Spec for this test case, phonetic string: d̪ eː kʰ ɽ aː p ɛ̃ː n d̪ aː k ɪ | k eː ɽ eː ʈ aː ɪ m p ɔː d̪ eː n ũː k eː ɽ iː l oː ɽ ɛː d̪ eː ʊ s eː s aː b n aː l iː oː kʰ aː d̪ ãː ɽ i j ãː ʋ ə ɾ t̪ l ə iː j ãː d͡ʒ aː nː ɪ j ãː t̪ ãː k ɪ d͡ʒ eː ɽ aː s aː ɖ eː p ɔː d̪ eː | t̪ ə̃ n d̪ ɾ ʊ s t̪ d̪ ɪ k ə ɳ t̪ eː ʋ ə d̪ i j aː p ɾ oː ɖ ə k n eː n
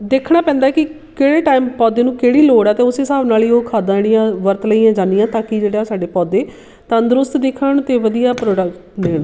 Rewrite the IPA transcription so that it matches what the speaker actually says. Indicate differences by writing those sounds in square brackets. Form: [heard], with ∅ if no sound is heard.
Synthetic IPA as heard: d̪ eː kʰ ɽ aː p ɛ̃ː n d̪ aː k ɪ | k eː ɽ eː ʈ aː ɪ m p ɔː d̪ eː n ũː k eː ɽ iː l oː ɽ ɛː [t̪] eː ʊ s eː s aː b n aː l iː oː kʰ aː d̪ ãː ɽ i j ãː ʋ ə ɾ t̪ l ə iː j ãː d͡ʒ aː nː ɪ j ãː t̪ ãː k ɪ d͡ʒ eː ɽ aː s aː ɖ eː p ɔː d̪ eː | t̪ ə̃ n d̪ ɾ ʊ s t̪ d̪ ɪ [kʰ] ə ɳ t̪ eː ʋ ə d̪ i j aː p ɾ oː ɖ ə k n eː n